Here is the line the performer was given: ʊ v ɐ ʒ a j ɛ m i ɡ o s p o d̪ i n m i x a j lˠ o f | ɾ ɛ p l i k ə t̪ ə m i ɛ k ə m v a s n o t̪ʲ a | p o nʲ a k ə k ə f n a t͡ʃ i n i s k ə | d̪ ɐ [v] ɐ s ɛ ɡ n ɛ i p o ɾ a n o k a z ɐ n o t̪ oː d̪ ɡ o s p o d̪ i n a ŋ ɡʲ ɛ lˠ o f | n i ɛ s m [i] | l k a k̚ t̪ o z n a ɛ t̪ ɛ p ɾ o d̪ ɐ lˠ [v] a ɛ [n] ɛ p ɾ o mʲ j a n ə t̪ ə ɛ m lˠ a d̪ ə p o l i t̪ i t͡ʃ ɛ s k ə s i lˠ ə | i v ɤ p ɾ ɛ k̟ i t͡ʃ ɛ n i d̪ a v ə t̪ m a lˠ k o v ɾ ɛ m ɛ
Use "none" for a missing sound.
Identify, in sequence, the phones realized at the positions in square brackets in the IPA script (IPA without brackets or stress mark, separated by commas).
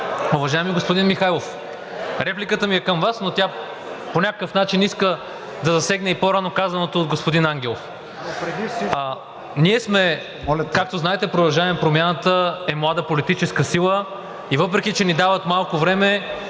z, ɛ, ʒ, m